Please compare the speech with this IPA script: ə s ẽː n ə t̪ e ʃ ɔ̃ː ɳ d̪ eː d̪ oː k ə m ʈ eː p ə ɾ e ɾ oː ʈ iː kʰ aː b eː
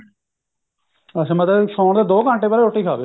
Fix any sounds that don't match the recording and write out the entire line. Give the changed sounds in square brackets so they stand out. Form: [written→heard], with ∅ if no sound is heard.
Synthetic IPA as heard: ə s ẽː [n→m] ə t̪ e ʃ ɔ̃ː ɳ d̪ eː d̪ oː k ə [m→ɳ] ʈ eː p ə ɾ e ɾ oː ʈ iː kʰ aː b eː